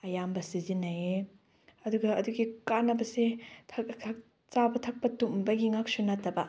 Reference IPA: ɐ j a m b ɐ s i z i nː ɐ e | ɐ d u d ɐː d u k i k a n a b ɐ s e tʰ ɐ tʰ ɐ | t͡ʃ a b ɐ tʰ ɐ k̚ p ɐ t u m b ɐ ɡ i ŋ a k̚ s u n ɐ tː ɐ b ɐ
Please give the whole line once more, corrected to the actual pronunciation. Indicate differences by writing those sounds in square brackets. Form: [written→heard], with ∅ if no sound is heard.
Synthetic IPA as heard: ɐ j a m b ɐ s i z i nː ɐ e | ɐ d u [d→ɡ] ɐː d u [k→ɡ] i k a n [a→ɐ] b ɐ s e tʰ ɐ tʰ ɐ | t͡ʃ a b ɐ tʰ ɐ k̚ p ɐ t u m b ɐ ɡ i ŋ a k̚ s u n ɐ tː ɐ b ɐ